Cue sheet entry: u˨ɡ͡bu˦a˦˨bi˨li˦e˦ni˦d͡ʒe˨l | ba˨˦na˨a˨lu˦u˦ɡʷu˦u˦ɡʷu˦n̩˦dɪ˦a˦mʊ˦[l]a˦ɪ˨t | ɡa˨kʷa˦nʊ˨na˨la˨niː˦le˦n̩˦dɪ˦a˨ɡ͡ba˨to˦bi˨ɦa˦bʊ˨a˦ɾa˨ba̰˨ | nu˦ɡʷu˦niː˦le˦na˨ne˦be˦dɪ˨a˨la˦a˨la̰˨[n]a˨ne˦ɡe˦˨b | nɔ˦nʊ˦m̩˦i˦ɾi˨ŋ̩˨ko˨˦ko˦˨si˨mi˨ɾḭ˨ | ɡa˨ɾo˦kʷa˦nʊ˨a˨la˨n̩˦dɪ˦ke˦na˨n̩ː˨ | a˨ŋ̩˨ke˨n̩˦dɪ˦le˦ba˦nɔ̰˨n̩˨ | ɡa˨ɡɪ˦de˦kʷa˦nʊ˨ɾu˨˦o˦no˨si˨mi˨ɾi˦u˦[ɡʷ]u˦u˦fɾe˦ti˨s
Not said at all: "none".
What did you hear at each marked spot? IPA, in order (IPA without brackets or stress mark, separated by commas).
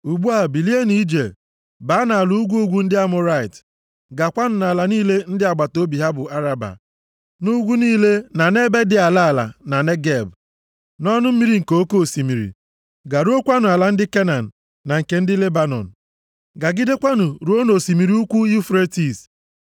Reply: ɾ, n, kʷ